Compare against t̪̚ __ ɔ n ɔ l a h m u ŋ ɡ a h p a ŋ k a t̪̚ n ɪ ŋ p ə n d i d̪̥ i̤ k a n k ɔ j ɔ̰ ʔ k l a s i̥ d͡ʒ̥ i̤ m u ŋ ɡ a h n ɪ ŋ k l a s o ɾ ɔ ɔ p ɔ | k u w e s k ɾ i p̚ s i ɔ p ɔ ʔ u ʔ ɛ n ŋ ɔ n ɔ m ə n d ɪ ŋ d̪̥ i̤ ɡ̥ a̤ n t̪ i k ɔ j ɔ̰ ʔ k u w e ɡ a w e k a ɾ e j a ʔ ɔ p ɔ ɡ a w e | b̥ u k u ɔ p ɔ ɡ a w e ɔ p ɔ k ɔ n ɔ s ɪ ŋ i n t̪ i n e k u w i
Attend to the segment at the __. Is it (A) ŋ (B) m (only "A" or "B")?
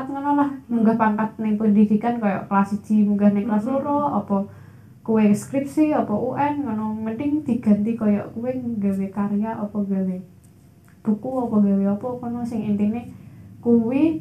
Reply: A